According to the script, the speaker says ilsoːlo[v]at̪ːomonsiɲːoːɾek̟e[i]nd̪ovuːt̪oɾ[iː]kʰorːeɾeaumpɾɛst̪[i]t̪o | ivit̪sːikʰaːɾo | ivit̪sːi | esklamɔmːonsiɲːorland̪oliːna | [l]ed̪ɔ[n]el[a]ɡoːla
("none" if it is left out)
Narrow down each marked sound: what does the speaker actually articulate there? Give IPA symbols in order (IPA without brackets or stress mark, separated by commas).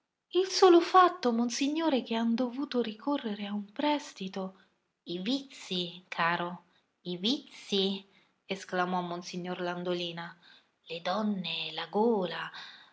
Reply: f, a, i, i, l, nː, a